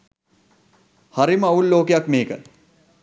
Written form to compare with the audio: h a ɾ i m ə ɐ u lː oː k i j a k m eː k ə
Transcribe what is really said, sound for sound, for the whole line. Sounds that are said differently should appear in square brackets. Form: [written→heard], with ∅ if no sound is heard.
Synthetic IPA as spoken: h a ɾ i m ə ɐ u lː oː k [i→e] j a k m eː k ə